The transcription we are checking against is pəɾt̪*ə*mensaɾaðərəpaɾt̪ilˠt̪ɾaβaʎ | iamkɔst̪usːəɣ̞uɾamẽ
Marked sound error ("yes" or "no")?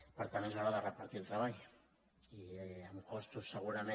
yes